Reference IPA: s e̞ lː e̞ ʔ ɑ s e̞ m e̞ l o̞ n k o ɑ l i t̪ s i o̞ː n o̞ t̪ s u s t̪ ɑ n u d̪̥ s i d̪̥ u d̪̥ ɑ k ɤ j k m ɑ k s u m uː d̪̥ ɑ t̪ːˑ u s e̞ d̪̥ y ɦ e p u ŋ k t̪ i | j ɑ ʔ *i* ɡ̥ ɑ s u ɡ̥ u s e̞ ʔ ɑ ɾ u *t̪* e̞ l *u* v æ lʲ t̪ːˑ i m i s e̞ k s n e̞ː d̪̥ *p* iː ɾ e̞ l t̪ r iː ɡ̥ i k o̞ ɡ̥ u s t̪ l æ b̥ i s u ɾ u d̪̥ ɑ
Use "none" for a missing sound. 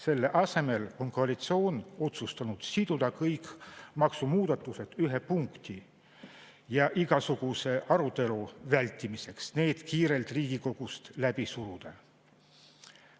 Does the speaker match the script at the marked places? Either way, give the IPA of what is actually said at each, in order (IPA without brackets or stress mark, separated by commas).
i, t̪, u, k